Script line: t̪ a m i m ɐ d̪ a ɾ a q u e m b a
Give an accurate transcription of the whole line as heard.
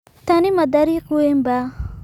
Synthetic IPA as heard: t̪ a n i m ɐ d̪ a ɾ i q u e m b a